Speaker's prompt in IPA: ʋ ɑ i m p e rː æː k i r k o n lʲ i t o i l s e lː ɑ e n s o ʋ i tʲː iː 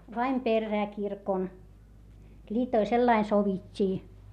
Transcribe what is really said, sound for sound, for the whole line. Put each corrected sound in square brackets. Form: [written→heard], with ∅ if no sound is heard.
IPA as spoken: ʋ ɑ i m p e rː æː k i r k o n lʲ [i→iː] t o i l s e lː ɑ [e→i] n s o ʋ i tʲː iː